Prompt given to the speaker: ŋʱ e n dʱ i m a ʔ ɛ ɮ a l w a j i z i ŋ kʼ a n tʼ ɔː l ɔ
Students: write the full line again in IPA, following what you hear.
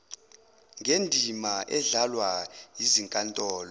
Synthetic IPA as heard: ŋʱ e n dʱ i m a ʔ ɛ ɮ a l w a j i z i ŋ kʼ a n tʼ ɔː l ɔ